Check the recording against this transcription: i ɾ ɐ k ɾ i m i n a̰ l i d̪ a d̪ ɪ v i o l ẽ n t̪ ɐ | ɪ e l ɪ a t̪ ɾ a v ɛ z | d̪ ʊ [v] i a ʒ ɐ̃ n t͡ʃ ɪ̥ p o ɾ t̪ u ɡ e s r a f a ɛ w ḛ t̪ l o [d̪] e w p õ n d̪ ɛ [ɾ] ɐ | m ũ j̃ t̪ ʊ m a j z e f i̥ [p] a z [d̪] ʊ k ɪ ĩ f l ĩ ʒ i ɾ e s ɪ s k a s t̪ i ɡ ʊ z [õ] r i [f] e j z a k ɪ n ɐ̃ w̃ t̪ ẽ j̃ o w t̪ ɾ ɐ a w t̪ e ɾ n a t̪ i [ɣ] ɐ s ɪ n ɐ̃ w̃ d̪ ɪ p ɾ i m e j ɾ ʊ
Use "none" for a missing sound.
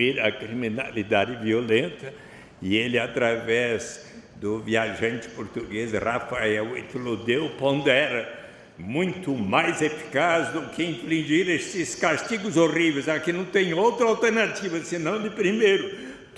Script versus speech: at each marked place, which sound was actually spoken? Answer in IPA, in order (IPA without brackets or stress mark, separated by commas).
v, d̪, ɾ, k, d̪, o, v, v